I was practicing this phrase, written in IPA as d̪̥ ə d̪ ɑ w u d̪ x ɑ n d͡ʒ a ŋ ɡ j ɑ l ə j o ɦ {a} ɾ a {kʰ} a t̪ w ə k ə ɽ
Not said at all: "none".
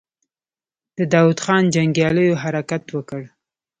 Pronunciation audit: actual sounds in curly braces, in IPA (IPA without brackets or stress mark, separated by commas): a, k